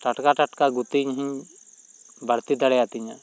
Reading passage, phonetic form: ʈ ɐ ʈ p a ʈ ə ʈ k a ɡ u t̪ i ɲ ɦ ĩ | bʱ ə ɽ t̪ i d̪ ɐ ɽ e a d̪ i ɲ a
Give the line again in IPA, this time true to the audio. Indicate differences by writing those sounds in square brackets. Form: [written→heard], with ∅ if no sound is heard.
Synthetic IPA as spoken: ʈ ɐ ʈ [p→k] a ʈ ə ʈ k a ɡ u t̪ i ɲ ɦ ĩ | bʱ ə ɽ t̪ i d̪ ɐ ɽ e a [d̪→t̪] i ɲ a